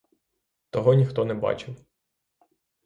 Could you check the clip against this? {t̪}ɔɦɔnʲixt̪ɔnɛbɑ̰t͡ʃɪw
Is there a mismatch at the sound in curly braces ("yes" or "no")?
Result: no